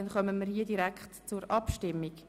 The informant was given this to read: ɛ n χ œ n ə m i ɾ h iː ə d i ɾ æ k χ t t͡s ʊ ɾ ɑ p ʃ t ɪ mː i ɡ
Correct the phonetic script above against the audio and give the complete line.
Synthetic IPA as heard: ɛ n χ œ m ə m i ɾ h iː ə d i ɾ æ k χ t t͡s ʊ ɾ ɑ p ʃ t ɪ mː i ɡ